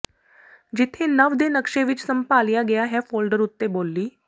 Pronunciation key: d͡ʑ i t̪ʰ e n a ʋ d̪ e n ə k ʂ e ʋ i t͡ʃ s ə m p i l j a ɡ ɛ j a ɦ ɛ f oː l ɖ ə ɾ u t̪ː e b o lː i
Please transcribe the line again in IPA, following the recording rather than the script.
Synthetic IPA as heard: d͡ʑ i t̪ʰ e n ə ʋ d̪ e n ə k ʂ e ʋ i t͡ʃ s ə m p a l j a ɡ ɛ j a ɦ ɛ f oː l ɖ ə ɾ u t̪ː e b o lː iː